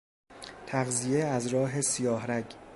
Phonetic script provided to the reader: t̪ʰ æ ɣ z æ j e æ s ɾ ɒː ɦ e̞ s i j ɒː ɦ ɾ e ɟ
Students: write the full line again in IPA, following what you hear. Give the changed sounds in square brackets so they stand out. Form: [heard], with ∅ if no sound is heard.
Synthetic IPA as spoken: t̪ʰ æ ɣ z [i] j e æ [z] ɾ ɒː ɦ e̞ s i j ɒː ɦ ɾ [æ] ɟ